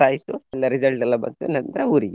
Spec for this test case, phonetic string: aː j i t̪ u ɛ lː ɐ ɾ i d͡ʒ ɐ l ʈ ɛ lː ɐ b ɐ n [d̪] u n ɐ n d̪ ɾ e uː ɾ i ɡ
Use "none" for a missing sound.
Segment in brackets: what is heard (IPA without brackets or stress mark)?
t̪